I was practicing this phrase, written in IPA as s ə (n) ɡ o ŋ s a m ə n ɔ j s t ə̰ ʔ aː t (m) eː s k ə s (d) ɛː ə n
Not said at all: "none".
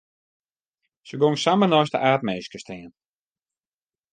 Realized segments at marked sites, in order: none, m, t

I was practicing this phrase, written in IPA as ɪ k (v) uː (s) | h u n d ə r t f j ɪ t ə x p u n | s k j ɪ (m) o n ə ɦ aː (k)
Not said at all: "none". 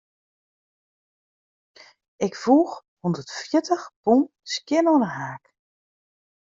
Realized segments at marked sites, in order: f, x, n, k

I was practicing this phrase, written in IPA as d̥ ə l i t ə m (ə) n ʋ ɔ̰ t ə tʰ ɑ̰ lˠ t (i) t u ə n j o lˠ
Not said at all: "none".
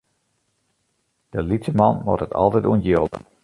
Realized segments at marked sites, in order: ɑ, ɛ

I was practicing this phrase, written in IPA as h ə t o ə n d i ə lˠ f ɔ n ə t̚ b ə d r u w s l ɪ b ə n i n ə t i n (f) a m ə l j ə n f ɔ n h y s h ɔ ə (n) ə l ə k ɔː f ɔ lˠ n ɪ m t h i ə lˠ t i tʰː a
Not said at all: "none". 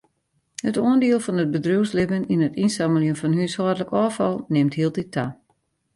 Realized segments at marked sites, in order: s, d

